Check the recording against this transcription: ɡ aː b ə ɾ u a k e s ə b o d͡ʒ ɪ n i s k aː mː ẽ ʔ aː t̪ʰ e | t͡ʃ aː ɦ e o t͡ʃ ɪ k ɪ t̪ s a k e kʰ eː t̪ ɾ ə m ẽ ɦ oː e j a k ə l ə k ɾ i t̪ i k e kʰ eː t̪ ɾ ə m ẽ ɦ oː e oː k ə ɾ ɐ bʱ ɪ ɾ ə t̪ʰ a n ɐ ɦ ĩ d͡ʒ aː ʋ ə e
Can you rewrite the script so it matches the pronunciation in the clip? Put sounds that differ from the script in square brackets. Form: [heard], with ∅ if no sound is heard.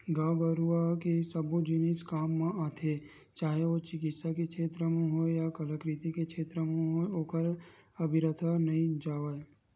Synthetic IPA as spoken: ɡ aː b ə ɾ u a k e s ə b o d͡ʒ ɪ n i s k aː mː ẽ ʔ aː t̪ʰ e | t͡ʃ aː ɦ e o t͡ʃ ɪ k ɪ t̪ s a k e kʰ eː t̪ ɾ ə m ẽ ɦ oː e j a k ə l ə k ɾ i t̪ i k e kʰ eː t̪ ɾ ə m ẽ ɦ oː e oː k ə ɾ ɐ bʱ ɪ ɾ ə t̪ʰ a n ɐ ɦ ĩ d͡ʒ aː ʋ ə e

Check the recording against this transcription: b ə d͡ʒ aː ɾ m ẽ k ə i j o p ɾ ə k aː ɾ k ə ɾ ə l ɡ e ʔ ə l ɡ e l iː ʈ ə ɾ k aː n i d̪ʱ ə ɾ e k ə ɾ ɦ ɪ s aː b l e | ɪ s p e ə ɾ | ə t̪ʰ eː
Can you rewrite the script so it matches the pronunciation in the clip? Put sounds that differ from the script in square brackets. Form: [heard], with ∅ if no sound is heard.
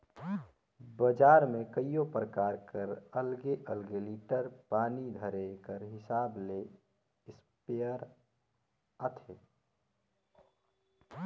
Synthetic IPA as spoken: b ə d͡ʒ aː ɾ m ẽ k ə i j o p ɾ ə k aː ɾ k ə ɾ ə l ɡ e ʔ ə l ɡ e l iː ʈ ə ɾ [p] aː n i d̪ʱ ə ɾ e k ə ɾ ɦ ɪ s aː b l e | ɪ s p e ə ɾ | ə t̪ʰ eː

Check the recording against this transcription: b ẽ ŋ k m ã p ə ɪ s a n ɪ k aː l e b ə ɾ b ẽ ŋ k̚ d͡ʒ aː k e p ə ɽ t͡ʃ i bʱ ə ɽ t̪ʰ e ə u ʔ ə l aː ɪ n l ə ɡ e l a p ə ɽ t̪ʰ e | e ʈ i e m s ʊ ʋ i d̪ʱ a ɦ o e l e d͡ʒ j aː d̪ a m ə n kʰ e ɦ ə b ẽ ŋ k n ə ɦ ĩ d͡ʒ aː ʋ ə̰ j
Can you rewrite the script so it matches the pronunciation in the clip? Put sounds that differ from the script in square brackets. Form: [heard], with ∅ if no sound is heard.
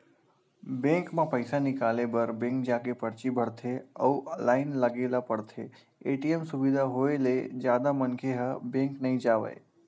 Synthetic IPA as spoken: b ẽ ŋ k m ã p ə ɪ s a n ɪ k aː l e b ə ɾ b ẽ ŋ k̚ d͡ʒ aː k e p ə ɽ t͡ʃ i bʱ ə ɽ t̪ʰ e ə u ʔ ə l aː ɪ n l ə ɡ e l a p ə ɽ t̪ʰ e | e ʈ i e m s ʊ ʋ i d̪ʱ a ɦ o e l e d͡ʒ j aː d̪ a m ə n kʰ e ɦ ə b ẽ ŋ k n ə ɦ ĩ d͡ʒ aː ʋ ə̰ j

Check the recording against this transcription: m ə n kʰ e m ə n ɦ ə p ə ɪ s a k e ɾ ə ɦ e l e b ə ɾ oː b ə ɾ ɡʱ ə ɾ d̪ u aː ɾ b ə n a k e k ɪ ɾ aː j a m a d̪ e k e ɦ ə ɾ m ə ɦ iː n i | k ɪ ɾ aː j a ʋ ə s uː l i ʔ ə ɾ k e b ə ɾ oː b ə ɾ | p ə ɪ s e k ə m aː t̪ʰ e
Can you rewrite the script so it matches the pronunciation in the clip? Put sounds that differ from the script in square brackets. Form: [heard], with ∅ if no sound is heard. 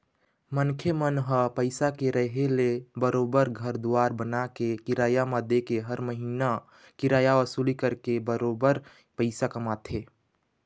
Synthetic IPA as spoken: m ə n kʰ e m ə n ɦ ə p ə ɪ s a k e ɾ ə ɦ e l e b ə ɾ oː b ə ɾ ɡʱ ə ɾ d̪ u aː ɾ b ə n a k e k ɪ ɾ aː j a m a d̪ e k e ɦ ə ɾ m ə ɦ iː n [a] | k ɪ ɾ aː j a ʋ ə s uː l i [k] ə ɾ k e b ə ɾ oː b ə ɾ | p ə ɪ s [a] k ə m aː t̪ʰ e

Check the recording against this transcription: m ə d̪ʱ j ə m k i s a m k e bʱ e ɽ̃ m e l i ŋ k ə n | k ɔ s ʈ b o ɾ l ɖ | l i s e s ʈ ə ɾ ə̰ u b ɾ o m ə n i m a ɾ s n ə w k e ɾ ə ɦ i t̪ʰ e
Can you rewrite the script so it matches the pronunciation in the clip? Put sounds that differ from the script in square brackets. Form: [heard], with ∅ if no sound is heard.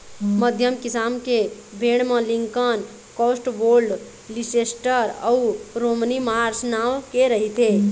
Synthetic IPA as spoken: m ə d̪ʱ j ə m k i s a m k e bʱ e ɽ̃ m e l i ŋ k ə n | k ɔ s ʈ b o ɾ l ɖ | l i s e s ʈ ə ɾ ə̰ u [∅] ɾ o m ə n i m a ɾ s n [a] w k e ɾ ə ɦ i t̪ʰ e

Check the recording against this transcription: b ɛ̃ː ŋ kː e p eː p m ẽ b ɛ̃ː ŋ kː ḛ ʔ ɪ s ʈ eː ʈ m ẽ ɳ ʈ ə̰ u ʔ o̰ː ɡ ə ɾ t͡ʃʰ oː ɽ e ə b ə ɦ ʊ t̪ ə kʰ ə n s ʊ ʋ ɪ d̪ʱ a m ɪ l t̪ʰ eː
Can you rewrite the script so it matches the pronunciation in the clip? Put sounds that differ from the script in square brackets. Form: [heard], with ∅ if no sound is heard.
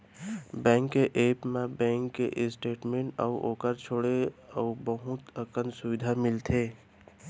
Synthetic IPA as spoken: b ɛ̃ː ŋ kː e [ʔ] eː p m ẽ b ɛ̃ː ŋ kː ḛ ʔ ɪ s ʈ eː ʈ m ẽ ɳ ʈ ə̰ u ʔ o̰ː [k] ə ɾ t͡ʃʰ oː ɽ e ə b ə ɦ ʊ t̪ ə [k] ə n s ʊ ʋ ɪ d̪ʱ a m ɪ l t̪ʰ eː

